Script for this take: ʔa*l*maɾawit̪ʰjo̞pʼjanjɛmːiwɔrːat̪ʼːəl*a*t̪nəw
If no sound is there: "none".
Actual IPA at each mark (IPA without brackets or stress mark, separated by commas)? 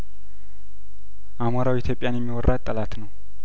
none, a